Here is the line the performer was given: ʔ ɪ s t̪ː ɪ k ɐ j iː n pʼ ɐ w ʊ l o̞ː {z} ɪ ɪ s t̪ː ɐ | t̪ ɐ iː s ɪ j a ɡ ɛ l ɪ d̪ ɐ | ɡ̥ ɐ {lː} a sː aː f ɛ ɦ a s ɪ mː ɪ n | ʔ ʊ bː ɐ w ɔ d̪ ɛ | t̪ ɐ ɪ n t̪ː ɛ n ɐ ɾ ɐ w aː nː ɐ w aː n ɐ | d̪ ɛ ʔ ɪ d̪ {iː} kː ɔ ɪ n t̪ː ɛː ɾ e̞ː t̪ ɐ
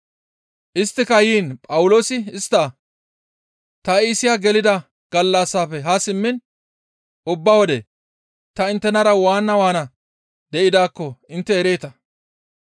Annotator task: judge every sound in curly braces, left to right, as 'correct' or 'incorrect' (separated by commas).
incorrect, correct, incorrect